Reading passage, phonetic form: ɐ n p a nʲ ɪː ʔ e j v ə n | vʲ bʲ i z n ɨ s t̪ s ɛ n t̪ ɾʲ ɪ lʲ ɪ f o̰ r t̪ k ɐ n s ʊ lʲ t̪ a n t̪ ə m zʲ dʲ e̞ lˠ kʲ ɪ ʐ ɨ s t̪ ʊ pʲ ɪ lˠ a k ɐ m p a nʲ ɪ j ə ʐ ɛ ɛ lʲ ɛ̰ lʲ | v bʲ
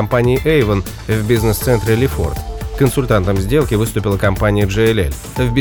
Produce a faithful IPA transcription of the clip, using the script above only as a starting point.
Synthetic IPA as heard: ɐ m p a nʲ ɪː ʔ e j v ə n | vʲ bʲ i z n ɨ s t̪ s ɛ n t̪ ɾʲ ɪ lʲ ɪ f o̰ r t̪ k ə n s ʊ lʲ t̪ a n t̪ ə m zʲ dʲ e̞ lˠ kʲ ɪ v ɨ s t̪ ʊ pʲ ɪ lˠ ə k ɐ m p a nʲ ɪ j ə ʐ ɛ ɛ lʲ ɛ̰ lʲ | v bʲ